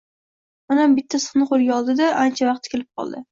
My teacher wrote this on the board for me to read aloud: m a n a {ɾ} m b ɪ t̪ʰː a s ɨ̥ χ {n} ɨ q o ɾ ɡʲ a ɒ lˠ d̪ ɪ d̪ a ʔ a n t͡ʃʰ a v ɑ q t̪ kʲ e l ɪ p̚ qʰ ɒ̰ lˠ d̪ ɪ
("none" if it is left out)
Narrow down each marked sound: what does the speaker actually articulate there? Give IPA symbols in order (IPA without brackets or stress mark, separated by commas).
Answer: none, n